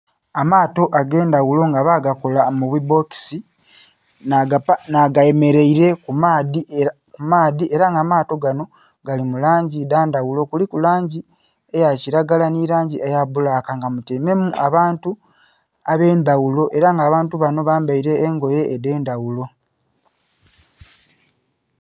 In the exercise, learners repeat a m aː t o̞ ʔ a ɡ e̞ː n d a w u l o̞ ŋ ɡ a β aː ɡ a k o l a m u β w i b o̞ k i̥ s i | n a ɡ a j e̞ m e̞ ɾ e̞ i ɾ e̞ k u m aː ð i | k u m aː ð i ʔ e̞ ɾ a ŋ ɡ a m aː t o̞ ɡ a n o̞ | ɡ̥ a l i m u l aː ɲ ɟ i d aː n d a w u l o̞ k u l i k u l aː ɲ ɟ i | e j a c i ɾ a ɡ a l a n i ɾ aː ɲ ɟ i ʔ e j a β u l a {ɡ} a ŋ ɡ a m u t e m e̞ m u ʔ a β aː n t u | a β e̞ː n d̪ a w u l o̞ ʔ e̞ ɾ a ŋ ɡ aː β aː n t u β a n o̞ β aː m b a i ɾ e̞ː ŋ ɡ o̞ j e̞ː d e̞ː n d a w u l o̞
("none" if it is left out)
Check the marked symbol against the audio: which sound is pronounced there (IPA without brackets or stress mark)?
k